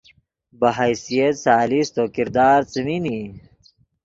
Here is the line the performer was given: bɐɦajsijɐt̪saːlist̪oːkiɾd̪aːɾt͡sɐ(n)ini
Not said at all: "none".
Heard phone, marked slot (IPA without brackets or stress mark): m